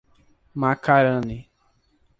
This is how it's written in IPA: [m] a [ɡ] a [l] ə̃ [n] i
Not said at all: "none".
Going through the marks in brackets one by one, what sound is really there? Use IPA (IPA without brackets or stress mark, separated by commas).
m, k, ɾ, n